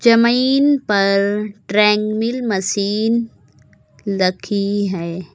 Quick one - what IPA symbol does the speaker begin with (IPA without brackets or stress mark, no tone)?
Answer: d͡ʒ